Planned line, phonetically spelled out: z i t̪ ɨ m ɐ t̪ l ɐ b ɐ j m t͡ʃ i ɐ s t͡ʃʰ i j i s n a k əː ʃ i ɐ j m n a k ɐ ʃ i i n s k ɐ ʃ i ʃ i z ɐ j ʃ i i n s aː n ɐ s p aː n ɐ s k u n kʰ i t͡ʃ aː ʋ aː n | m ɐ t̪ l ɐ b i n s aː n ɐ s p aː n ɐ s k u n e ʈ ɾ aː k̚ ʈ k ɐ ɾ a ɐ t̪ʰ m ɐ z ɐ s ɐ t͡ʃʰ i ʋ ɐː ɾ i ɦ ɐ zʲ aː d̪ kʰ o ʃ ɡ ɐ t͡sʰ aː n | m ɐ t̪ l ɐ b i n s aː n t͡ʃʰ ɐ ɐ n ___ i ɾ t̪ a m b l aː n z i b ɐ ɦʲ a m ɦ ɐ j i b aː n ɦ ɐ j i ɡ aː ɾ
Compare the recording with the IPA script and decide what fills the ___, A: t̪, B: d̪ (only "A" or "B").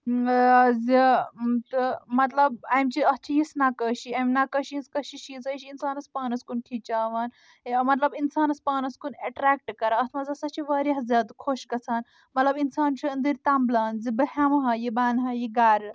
B